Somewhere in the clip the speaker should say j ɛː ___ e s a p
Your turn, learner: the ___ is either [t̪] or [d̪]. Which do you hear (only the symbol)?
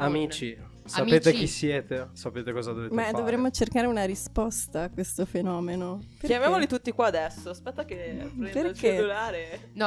t̪